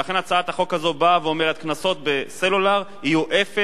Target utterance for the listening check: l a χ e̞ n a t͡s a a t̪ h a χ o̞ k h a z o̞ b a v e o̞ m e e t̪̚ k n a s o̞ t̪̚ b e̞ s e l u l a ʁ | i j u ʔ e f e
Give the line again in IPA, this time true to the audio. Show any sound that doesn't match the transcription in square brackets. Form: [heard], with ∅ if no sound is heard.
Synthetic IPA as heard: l a χ e̞ n a t͡s a a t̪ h a χ o̞ k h a z o̞ b a v e o̞ m e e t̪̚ k n a s o̞ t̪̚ b e̞ s e l u l a ʁ | i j u ʔ e f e